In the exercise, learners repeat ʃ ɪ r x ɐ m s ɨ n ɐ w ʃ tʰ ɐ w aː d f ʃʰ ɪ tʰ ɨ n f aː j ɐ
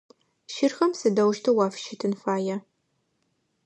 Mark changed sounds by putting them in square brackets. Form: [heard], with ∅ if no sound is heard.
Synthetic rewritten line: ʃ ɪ r x ɐ m s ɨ [d] ɐ w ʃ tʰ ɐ w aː [∅] f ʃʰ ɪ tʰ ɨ n f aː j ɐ